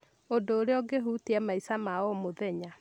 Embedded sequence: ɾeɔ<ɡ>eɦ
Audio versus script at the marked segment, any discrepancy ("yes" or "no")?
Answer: no